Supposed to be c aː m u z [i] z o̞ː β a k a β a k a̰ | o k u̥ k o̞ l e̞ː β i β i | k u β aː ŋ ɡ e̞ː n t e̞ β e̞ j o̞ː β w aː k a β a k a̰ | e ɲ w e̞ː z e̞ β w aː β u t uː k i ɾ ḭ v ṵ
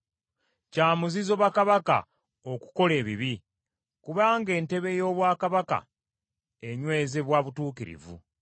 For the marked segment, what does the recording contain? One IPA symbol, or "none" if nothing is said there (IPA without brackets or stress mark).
i